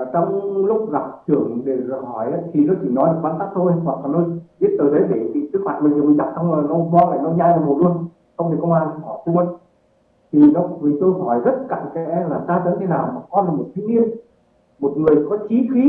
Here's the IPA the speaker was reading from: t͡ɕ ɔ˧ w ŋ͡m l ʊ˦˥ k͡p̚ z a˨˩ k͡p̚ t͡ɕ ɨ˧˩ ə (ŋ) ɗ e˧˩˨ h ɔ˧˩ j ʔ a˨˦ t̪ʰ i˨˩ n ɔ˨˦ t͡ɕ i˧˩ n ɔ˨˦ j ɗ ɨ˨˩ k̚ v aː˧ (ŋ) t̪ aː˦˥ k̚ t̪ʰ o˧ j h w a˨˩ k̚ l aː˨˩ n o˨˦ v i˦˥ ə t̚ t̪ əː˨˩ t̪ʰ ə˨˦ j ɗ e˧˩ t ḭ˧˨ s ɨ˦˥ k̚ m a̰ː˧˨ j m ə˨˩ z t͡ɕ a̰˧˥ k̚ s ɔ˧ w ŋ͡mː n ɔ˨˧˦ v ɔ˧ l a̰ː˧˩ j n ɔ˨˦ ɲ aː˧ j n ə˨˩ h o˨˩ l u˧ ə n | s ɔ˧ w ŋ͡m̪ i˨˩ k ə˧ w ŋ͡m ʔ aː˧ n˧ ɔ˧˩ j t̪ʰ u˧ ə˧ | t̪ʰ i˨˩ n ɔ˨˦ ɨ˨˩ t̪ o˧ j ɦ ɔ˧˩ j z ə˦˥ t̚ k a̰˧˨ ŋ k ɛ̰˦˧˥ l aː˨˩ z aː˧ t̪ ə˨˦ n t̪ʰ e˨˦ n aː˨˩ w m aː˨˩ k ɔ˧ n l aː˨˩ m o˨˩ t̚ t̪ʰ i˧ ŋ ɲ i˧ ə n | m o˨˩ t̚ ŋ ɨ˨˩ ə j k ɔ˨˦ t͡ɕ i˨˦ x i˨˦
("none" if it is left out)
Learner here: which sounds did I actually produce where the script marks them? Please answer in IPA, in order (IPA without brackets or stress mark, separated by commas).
ŋ, n